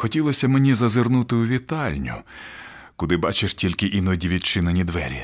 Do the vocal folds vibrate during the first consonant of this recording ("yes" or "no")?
no